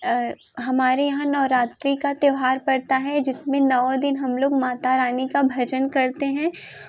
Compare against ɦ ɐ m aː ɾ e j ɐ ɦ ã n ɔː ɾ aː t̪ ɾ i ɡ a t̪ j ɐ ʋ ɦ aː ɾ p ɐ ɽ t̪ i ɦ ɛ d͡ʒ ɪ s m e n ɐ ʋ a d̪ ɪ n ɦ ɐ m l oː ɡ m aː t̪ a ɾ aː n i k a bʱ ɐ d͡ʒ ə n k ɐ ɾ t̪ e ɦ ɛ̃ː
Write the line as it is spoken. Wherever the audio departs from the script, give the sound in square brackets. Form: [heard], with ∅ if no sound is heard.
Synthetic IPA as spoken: ɦ ɐ m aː ɾ e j ɐ ɦ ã n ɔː ɾ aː t̪ ɾ i [k] a t̪ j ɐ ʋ ɦ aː ɾ p ɐ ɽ t̪ [a] ɦ ɛ d͡ʒ ɪ s m [ẽ] n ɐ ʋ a d̪ ɪ n ɦ ɐ m l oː ɡ m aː t̪ a ɾ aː n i k a bʱ ɐ d͡ʒ ə n k ɐ ɾ t̪ e ɦ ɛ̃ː

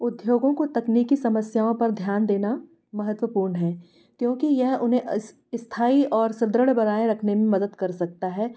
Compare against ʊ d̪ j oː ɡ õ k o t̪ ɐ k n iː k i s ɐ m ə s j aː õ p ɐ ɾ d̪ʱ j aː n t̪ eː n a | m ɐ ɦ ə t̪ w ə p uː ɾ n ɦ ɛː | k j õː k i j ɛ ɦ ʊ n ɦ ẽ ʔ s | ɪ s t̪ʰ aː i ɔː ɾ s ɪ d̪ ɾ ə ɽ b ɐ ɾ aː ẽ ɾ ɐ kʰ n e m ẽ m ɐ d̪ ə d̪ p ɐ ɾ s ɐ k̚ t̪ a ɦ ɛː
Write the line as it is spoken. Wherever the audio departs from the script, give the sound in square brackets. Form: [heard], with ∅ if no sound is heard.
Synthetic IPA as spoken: ʊ d̪ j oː ɡ õ k o t̪ ɐ k n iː k i s ɐ m ə s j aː õ p ɐ ɾ d̪ʱ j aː n [d̪] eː n a | m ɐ ɦ ə t̪ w ə p uː ɾ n ɦ ɛː | k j õː k i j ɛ ɦ ʊ n ɦ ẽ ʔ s | ɪ s t̪ʰ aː i ɔː ɾ s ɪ d̪ ɾ ə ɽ b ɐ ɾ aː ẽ ɾ ɐ kʰ n e m ẽ m ɐ d̪ ə d̪ [k] ɐ ɾ s ɐ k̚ t̪ a ɦ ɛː

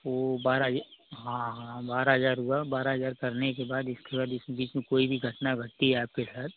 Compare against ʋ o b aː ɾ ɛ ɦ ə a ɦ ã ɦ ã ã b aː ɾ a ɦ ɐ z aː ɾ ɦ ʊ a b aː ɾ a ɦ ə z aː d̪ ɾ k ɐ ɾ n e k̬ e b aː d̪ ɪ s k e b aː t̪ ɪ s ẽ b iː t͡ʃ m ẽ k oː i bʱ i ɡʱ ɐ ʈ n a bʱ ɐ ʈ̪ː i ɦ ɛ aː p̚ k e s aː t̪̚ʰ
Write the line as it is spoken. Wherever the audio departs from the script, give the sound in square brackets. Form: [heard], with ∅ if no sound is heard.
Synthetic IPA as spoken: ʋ o b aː ɾ [a] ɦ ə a ɦ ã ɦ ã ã b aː ɾ a ɦ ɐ z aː ɾ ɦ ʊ a b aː ɾ a ɦ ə z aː [∅] ɾ k ɐ ɾ n e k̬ e b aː d̪ ɪ s k e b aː [d̪] ɪ s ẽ b iː t͡ʃ m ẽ k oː i bʱ i ɡʱ ɐ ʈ n a [ɡʱ] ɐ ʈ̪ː i ɦ ɛ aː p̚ k e s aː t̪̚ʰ

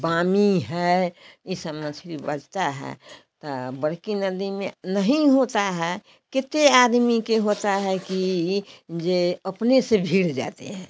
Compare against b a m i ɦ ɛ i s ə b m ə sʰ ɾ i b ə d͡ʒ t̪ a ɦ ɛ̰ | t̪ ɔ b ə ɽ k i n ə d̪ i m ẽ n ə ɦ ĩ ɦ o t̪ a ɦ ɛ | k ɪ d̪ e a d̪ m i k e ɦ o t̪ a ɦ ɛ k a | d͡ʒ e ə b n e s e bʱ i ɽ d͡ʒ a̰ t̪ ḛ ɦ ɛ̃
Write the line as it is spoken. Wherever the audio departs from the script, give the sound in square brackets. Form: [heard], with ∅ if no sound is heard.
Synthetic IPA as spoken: b a m i ɦ ɛ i s ə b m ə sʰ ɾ i b ə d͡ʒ t̪ a ɦ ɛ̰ | t̪ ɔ b ə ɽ k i n ə d̪ i m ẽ n ə ɦ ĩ ɦ o t̪ a ɦ ɛ | k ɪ [t̪] e a d̪ m i k e ɦ o t̪ a ɦ ɛ k [i] | d͡ʒ e ə [p] n e s e bʱ i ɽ d͡ʒ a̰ t̪ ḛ ɦ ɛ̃

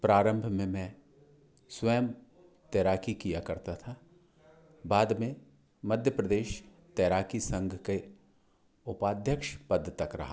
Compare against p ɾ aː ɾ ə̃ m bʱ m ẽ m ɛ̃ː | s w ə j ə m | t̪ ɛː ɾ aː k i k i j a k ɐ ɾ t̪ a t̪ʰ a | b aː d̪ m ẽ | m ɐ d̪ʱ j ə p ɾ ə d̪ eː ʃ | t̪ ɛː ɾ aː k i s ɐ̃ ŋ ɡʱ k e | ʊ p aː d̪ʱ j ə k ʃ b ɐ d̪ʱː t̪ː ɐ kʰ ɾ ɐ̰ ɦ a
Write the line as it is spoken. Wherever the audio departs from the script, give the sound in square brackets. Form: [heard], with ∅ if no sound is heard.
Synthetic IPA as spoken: p ɾ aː ɾ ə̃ m bʱ m ẽ m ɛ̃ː | s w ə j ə m | t̪ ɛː ɾ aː k i k i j a k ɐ ɾ t̪ a t̪ʰ a | b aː d̪ m ẽ | m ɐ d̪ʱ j ə p ɾ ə d̪ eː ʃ | t̪ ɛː ɾ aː k i s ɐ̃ ŋ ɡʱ k e | ʊ p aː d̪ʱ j ə k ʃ [p] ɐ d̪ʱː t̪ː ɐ [k] ɾ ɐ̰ ɦ a

